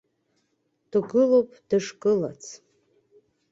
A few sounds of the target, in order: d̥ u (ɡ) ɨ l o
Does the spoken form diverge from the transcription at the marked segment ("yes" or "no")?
no